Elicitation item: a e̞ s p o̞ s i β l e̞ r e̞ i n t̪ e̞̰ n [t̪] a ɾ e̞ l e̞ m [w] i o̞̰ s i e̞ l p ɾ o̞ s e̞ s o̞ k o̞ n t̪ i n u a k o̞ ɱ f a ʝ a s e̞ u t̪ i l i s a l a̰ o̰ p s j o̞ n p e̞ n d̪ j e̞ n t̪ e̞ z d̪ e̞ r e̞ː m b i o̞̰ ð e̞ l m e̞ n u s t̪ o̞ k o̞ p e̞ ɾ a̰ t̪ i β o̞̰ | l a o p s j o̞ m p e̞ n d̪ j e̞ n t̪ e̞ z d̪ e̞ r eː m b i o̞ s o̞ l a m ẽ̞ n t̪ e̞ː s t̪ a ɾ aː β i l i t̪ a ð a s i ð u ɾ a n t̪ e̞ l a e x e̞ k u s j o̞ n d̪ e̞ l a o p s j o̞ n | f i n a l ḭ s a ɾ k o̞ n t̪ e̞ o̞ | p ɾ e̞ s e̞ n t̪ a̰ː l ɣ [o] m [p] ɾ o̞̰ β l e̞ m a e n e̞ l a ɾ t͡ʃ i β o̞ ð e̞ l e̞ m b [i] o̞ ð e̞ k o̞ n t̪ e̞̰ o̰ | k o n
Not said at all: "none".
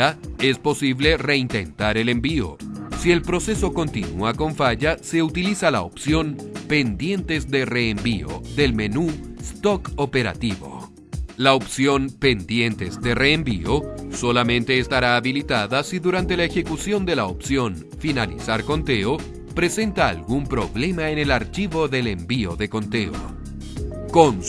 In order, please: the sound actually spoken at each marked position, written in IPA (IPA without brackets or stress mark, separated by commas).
t̪, b, u, p, i